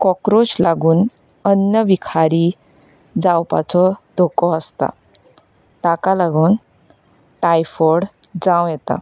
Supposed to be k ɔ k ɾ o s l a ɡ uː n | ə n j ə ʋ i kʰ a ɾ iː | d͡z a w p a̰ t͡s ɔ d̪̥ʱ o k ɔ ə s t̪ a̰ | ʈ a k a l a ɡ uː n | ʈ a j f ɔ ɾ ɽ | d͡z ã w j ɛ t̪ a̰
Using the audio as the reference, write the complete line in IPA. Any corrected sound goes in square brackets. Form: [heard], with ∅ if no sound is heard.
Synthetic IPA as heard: k ɔ k ɾ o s l a ɡ uː n | ə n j ə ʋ i kʰ a ɾ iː | d͡z a w p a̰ t͡s ɔ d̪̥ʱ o k ɔ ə s t̪ a̰ | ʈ a k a l a ɡ uː n | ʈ a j f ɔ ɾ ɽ | d͡z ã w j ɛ t̪ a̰